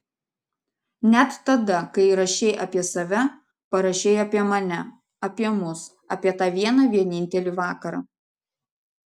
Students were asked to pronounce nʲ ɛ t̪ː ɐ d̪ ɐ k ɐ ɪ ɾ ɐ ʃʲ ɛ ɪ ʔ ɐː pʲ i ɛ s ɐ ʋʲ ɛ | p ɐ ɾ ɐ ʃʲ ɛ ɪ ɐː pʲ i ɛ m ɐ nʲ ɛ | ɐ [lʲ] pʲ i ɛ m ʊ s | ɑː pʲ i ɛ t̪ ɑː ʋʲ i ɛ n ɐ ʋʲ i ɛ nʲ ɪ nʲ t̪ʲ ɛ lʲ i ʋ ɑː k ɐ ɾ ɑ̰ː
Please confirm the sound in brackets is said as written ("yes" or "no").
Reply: no